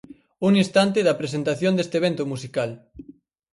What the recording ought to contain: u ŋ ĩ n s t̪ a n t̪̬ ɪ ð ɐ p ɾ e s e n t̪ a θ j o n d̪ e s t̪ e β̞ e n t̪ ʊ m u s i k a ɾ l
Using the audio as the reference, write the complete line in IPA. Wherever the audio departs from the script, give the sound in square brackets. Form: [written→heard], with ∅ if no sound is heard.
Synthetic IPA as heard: u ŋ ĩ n s t̪ a n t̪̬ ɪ ð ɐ p ɾ e s e n t̪ a θ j o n d̪ e s t̪ e β̞ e n t̪ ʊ m u s i k a [ɾ→∅] l